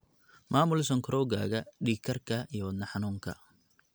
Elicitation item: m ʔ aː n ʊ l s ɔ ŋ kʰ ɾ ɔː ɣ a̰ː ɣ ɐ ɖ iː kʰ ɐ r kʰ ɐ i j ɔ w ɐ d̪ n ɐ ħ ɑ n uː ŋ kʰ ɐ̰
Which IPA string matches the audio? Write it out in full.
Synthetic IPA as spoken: m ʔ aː m ʊ l s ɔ ŋ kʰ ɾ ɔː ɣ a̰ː ɣ ɐ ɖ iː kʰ ɐ r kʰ ɐ i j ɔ w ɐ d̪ n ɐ ħ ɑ n uː ŋ kʰ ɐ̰